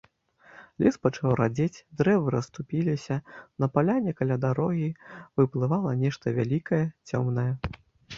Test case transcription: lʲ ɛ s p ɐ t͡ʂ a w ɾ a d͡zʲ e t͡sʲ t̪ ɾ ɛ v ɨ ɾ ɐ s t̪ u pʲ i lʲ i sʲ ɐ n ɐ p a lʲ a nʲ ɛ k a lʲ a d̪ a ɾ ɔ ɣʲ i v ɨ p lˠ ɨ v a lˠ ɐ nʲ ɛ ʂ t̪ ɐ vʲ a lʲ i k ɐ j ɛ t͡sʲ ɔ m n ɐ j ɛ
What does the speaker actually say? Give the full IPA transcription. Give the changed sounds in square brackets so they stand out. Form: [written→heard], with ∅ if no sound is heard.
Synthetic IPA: lʲ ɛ s p ɐ t͡ʂ a w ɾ a d͡zʲ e t͡sʲ [t̪→d̪] ɾ ɛ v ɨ ɾ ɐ s t̪ u pʲ i lʲ i sʲ ɐ n ɐ p a lʲ a nʲ ɛ k a lʲ a d̪ a ɾ ɔ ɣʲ i v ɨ p lˠ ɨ v a lˠ ɐ nʲ ɛ ʂ t̪ ɐ vʲ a lʲ i k ɐ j ɛ t͡sʲ ɔ m n ɐ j ɛ